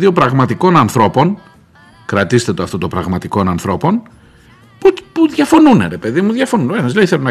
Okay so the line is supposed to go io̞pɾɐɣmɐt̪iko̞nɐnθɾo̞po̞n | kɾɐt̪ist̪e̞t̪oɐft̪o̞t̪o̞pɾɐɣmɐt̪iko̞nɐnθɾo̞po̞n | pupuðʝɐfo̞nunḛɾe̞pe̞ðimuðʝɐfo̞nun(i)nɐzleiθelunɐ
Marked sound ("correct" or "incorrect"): incorrect